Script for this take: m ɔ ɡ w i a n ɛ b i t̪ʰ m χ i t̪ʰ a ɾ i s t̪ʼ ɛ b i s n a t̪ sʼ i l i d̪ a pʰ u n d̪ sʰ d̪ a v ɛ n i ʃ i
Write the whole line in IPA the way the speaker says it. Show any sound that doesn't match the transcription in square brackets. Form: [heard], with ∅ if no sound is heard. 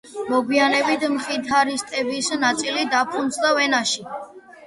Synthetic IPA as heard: m ɔ ɡ w i a n ɛ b i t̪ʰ m χ i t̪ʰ a ɾ i s t̪ʼ ɛ b i s n a t̪ sʼ i l i d̪ a pʰ u n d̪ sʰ d̪ a v ɛ n [a] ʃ i